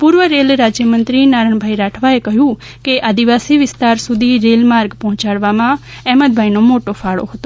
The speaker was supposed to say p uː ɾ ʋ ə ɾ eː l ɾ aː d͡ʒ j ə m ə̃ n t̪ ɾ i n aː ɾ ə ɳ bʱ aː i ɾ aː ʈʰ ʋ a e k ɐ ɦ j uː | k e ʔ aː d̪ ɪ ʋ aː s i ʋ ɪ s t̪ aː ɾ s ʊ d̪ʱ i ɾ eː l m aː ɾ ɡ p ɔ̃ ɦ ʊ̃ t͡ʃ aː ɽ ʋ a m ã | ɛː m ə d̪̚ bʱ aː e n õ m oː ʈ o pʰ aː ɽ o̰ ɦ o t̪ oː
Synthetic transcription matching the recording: p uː ɾ ʋ ə ɾ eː l ɾ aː d͡ʒ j ə m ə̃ n t̪ ɾ i n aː ɾ ə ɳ bʱ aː i ɾ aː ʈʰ ʋ a e k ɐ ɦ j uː | k e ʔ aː d̪ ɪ ʋ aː s i ʋ ɪ s t̪ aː ɾ s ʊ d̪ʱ i ɾ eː l m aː ɾ ɡ p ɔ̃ ɦ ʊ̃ t͡ʃ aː ɽ ʋ a m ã | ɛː m ə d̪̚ bʱ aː i n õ m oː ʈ o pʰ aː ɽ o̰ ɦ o t̪ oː